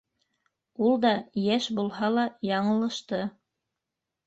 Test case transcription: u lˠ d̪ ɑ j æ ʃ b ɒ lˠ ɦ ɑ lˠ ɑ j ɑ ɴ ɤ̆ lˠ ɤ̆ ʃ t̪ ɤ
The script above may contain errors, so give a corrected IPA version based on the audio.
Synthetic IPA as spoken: u lˠ d̪ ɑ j æ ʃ b u lˠ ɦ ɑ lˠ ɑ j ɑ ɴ ɤ̆ lˠ ɤ̆ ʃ t̪ ɤ